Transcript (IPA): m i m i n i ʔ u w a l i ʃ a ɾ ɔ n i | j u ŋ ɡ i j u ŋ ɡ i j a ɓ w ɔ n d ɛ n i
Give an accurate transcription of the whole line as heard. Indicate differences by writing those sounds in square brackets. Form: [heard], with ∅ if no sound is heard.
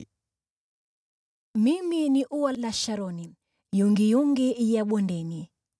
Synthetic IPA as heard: m i m i n i ʔ u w a l [a] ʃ a ɾ ɔ n i | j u ŋ ɡ i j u ŋ ɡ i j a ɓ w ɔ n d ɛ n i